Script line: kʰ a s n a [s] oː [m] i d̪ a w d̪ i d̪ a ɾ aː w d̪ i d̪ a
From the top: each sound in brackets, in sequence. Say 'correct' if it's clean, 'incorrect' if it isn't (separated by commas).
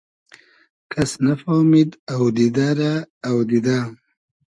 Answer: incorrect, correct